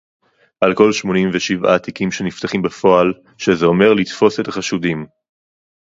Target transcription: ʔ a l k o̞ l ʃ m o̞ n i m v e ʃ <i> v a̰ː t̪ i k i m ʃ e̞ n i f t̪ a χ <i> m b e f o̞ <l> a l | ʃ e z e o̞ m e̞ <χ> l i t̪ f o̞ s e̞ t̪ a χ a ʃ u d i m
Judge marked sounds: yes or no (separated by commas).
yes, yes, no, no